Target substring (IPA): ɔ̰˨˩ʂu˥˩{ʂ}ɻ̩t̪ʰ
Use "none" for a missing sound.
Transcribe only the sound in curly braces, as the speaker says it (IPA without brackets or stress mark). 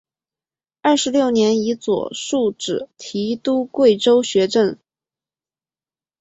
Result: ʈ͡ʂ